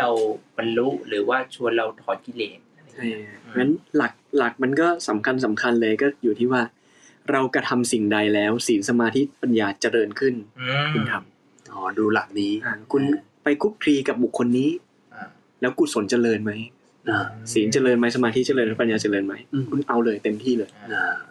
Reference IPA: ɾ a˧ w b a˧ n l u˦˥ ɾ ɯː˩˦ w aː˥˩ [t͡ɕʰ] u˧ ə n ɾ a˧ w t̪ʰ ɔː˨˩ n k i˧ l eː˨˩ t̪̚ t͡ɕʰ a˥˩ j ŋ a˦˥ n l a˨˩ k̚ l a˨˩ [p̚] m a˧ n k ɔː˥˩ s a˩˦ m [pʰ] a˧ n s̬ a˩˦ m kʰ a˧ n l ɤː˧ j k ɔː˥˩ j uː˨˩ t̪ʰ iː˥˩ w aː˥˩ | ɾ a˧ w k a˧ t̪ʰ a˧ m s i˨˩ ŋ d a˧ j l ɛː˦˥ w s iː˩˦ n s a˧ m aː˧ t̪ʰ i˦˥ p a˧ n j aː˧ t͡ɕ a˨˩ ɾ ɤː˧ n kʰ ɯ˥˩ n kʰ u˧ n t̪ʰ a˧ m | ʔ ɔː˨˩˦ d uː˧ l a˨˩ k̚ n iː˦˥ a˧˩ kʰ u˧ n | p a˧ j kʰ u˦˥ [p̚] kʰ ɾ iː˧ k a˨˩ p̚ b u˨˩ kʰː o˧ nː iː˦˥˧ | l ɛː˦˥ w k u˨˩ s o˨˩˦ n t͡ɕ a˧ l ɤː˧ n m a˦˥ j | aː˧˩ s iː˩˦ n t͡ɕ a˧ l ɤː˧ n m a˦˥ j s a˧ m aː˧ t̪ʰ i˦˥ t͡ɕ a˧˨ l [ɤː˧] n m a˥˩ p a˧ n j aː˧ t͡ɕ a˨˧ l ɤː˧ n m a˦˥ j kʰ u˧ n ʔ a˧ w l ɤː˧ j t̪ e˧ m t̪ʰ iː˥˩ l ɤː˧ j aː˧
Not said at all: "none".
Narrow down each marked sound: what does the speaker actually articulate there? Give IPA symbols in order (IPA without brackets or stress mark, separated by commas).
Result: t͡ɕʰ, k̚, kʰ, p̚, ɤː˧